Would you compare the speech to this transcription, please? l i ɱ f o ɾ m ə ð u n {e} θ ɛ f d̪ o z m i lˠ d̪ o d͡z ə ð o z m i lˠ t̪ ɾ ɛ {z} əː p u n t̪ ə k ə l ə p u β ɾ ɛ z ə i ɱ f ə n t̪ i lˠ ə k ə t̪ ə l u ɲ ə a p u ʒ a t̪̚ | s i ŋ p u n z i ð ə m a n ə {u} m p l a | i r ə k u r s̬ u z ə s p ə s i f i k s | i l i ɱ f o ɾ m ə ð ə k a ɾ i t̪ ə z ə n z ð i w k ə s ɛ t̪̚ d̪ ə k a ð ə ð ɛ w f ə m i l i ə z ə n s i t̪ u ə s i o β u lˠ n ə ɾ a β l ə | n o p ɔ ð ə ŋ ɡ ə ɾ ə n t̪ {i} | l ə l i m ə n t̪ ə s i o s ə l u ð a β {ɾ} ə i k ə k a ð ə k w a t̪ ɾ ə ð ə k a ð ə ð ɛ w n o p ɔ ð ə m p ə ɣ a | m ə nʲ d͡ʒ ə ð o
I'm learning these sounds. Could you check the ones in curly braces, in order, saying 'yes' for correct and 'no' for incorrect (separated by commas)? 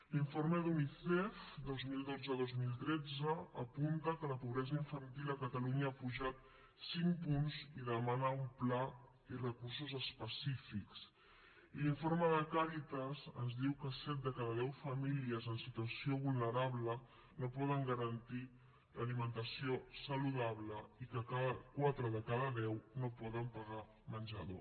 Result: no, no, yes, yes, no